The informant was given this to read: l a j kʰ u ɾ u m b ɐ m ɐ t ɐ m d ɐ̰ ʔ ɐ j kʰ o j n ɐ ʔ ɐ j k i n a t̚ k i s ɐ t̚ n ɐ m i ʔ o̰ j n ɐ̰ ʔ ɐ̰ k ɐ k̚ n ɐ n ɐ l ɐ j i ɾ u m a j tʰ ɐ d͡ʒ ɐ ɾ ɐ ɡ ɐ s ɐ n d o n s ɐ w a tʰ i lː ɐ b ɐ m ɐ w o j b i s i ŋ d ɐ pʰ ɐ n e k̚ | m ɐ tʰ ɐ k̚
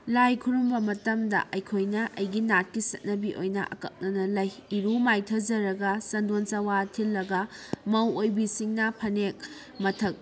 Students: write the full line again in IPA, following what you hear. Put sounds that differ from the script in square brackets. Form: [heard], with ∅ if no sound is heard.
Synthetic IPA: l a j kʰ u ɾ u m b ɐ m ɐ t ɐ m d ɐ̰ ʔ ɐ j kʰ o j n ɐ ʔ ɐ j [ɡ] i n a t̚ k i s ɐ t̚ n ɐ [b] i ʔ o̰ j n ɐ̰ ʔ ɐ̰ k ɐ k̚ n ɐ n ɐ l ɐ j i ɾ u m a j tʰ ɐ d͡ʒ ɐ ɾ ɐ ɡ ɐ s ɐ n d o n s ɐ w a tʰ i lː ɐ [ɡ] ɐ m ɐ w o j b i s i ŋ [n] ɐ pʰ ɐ n e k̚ | m ɐ tʰ ɐ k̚